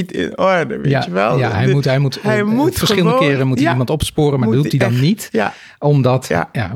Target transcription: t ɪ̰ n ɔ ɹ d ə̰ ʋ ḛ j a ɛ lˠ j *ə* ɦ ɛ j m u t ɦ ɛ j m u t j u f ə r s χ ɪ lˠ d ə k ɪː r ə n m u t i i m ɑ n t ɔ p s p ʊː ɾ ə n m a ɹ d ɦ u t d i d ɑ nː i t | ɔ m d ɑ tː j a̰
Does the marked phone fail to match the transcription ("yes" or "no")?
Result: yes